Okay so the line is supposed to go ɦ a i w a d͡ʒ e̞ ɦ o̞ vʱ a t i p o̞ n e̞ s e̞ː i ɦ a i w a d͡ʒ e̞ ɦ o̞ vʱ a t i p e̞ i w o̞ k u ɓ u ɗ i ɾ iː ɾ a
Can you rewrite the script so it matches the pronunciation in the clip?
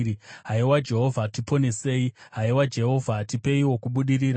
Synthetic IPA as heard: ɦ a i w a d͡ʒ e̞ ɦ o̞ vʱ a t i p o̞ n e̞ s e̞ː i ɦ a i w a d͡ʒ e̞ ɦ o̞ vʱ a t i p e̞ i w o̞ k u ɓ u ɗ i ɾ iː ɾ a